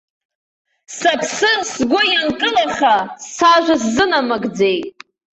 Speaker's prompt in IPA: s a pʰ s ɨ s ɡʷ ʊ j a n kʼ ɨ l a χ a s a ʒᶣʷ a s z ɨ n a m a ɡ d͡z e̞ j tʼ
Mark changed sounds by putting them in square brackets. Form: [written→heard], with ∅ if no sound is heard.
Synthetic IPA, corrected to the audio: s a pʰ s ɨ s ɡʷ ʊ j a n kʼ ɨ l a χ a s a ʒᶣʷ a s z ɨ n a m a ɡ d͡z e̞ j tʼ